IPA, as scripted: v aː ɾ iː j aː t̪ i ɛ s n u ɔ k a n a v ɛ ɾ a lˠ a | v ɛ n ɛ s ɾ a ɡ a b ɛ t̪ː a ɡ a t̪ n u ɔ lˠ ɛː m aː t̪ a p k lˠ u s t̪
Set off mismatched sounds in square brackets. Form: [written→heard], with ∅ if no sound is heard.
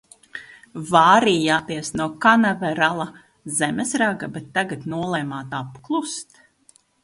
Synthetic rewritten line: v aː ɾ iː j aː t̪ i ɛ s n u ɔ k a n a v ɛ ɾ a lˠ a | [v→z] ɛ [n→m] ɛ s ɾ a ɡ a b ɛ t̪ː a ɡ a t̪ n u ɔ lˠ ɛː m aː t̪ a p k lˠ u s t̪